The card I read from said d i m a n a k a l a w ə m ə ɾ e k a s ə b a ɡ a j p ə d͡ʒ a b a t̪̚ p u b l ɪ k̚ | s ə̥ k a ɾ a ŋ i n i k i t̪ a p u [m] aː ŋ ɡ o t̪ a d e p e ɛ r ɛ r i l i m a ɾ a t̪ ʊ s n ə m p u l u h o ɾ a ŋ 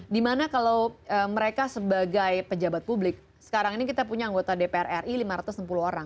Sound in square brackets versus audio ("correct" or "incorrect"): incorrect